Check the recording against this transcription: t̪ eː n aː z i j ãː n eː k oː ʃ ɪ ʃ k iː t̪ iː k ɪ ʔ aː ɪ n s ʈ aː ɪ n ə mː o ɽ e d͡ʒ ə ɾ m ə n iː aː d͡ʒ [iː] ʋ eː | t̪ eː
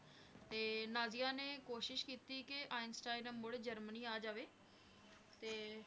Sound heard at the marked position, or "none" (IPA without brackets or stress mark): aː